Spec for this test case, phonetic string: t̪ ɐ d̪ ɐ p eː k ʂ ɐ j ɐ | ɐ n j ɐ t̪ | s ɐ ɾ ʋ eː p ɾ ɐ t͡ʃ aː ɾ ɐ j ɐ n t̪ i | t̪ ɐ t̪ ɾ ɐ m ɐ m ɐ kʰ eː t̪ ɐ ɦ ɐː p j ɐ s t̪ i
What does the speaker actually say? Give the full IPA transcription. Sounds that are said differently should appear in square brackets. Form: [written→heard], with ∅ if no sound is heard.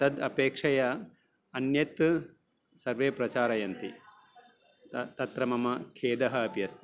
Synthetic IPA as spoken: t̪ ɐ d̪ ɐ p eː k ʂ ɐ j ɐ | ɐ n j ɐ t̪ | s ɐ ɾ ʋ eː p ɾ ɐ t͡ʃ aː ɾ ɐ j ɐ n t̪ i | t̪ ɐ t̪ ɾ ɐ m ɐ m ɐ kʰ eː [t̪→d̪] ɐ ɦ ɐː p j ɐ s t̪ i